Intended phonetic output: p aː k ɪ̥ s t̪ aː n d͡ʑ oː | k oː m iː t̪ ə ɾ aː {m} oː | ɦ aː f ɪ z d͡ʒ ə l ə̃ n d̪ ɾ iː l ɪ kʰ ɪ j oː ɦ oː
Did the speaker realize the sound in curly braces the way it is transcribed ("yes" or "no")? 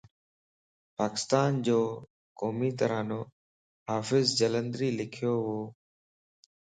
no